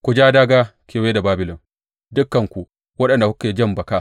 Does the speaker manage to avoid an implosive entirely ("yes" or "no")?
no